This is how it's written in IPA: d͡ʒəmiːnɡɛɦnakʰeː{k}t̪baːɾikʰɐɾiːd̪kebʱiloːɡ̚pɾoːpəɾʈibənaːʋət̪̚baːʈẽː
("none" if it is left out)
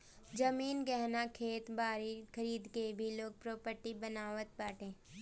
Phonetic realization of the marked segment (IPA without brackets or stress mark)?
none